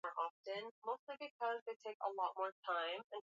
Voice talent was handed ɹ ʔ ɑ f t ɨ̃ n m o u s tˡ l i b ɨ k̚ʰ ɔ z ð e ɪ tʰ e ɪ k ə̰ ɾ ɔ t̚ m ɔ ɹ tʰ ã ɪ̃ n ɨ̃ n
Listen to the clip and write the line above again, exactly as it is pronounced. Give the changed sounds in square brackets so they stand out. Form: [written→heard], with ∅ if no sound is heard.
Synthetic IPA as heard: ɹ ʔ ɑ f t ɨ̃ n m o [u→ʊ] s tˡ l i b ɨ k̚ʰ [ɔ→ʌ] z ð e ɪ tʰ e ɪ k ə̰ [ɾ→l] ɔ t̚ m ɔ ɹ tʰ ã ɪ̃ [n→m] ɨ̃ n